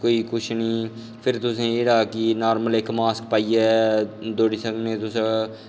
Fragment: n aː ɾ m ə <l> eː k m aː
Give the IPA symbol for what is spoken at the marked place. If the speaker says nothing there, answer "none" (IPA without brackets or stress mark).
l